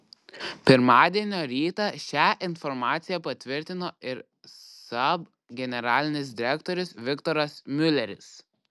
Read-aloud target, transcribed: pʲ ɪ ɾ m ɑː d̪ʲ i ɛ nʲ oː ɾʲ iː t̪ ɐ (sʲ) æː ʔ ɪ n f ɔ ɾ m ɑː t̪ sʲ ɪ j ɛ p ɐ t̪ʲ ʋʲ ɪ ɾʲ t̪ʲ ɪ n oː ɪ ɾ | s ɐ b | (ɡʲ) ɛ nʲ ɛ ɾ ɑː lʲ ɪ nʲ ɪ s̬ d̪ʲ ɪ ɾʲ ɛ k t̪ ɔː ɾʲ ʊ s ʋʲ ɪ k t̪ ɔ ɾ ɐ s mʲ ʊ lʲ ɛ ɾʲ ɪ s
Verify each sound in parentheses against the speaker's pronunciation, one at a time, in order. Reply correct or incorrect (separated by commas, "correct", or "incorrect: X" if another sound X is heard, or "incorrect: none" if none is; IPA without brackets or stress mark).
incorrect: ʃʲ, correct